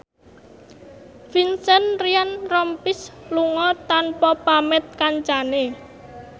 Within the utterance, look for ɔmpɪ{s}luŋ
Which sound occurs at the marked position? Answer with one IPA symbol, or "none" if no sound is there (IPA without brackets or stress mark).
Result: s